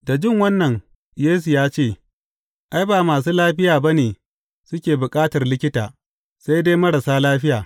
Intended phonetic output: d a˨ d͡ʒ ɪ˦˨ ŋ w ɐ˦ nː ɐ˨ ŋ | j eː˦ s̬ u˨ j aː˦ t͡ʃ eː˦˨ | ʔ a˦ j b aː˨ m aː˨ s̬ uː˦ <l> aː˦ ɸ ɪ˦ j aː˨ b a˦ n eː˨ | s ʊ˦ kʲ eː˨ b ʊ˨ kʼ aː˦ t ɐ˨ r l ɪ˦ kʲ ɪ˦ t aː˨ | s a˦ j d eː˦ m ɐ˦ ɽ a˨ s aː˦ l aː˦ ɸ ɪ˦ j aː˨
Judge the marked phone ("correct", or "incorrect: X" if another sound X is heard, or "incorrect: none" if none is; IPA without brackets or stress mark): correct